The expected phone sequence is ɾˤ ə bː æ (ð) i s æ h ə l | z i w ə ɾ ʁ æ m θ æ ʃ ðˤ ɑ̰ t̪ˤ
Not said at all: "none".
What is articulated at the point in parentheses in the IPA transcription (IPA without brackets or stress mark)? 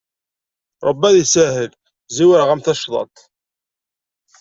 ð